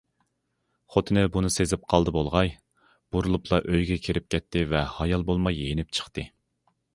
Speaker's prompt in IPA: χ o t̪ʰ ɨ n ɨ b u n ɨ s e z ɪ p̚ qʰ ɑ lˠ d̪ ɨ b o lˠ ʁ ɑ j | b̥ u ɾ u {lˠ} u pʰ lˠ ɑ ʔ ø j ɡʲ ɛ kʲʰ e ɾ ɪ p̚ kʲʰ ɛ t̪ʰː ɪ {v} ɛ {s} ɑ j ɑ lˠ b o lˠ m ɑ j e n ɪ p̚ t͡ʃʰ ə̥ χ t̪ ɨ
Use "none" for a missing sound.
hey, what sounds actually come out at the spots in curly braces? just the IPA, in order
lˠ, v, h

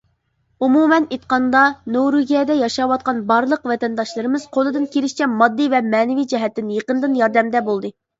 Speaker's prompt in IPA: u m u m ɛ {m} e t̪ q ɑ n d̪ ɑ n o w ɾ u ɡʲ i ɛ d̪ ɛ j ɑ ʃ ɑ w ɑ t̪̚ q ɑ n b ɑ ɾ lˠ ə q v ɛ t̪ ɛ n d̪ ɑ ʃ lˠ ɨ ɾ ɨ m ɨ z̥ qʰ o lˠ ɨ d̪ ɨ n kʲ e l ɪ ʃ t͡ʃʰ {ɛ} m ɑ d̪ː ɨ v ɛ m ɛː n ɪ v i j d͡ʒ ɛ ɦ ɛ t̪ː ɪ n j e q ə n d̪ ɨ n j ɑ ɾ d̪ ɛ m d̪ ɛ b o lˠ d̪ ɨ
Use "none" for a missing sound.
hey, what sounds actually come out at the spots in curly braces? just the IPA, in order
n, ɛ

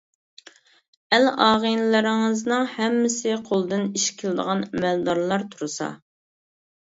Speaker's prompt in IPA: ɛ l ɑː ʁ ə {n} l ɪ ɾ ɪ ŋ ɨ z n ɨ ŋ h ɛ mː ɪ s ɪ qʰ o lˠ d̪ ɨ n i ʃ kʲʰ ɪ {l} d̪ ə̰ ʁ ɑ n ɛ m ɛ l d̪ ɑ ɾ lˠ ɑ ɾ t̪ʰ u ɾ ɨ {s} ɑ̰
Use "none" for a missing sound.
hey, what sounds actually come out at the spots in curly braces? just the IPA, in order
n, l, s

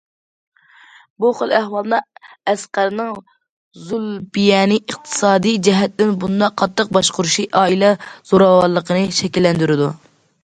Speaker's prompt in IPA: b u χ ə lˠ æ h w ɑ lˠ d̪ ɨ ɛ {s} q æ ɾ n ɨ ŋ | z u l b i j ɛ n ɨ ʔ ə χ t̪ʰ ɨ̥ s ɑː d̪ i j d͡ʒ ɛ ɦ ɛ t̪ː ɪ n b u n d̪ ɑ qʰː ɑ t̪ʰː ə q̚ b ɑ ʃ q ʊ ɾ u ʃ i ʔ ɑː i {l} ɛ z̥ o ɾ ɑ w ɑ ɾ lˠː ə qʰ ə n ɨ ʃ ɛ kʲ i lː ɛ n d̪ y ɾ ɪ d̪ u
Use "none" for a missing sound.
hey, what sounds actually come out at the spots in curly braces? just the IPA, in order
s, l

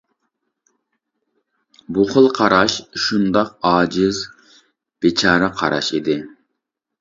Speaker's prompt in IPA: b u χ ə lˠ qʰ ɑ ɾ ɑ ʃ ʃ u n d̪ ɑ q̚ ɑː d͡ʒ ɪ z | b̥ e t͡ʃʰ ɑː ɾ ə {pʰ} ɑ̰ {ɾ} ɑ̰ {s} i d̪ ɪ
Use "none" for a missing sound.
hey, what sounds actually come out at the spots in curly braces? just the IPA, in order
qʰ, ɾ, ʃ

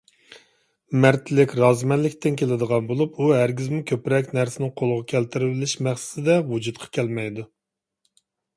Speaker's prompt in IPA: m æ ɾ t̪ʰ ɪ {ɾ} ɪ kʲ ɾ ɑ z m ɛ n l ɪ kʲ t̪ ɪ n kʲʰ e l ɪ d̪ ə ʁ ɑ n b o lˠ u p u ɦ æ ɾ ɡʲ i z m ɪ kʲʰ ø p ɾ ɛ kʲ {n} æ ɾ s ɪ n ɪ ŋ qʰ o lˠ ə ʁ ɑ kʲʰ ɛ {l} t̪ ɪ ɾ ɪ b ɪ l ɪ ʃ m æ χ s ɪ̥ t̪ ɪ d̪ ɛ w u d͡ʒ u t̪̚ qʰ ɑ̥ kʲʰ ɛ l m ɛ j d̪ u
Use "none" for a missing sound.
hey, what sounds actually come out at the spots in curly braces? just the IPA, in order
l, n, l

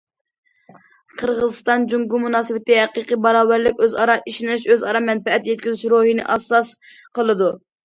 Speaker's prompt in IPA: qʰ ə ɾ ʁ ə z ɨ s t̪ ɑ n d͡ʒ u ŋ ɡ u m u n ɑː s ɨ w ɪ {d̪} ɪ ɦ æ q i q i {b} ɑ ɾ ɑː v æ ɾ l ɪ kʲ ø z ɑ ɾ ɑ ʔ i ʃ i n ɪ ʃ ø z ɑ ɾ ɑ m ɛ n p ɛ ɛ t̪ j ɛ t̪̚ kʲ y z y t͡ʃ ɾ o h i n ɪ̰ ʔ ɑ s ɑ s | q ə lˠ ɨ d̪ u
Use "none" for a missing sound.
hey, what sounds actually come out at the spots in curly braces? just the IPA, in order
t̪, b

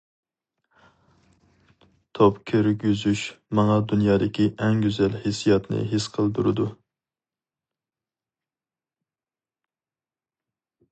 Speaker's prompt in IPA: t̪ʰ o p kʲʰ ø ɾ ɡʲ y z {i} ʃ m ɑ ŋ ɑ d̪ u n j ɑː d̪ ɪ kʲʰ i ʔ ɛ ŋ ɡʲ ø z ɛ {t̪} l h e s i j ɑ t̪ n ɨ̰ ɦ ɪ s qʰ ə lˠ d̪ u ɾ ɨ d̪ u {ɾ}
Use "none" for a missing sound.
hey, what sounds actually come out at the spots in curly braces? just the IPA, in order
y, none, none

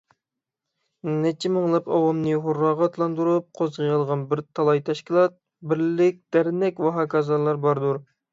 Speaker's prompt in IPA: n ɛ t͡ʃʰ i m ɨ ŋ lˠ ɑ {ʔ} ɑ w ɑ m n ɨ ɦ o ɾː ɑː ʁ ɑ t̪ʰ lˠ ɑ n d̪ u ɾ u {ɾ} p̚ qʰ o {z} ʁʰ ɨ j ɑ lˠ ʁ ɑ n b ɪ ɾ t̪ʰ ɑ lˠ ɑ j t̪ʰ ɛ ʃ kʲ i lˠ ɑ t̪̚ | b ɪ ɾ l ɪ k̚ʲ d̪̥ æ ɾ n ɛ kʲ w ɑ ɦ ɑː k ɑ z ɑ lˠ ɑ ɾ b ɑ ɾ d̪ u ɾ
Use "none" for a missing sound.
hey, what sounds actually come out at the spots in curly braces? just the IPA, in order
p, none, z

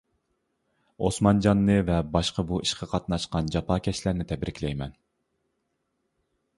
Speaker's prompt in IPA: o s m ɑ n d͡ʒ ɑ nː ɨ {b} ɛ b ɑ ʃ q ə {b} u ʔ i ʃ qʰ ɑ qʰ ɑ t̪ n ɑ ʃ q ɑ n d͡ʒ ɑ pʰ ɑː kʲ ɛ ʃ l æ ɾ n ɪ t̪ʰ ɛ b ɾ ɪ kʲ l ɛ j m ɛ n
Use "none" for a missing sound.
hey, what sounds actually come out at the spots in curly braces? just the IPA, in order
v, b

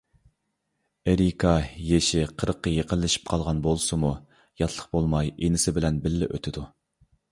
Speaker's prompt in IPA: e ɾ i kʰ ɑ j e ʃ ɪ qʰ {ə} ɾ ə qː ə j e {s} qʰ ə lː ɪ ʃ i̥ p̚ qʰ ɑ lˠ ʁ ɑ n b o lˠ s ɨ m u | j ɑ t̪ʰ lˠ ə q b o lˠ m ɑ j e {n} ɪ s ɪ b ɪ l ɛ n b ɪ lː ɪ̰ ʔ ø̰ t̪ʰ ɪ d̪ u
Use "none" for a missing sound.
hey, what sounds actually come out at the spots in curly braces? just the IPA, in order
ə, none, n

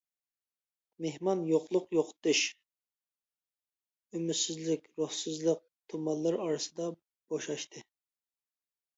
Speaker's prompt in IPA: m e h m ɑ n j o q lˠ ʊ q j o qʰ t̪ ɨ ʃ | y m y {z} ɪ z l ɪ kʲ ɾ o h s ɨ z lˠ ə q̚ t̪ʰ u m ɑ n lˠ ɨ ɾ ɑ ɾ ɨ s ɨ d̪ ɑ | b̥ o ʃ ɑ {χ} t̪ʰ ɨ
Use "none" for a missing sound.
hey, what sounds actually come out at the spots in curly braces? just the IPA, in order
s, ʃ

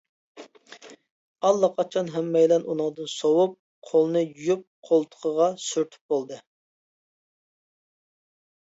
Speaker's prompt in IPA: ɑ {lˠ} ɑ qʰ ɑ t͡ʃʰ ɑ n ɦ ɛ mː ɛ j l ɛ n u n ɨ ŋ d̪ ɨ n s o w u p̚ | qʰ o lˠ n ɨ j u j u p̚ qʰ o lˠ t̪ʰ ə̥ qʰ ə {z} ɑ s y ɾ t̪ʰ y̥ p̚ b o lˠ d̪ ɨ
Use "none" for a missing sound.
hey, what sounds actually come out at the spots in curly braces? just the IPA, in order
lˠː, ʁ

